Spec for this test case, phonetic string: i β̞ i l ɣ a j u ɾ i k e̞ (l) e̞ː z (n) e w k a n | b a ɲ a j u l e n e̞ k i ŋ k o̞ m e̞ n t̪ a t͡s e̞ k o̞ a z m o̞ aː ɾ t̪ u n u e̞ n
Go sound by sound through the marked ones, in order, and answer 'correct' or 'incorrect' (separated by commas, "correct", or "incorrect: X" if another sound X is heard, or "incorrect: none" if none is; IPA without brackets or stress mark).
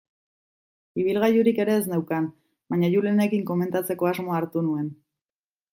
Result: incorrect: ɾ, correct